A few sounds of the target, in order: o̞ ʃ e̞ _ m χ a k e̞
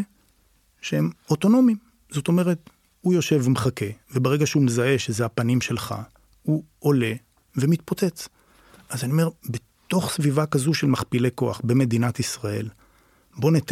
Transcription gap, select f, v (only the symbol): v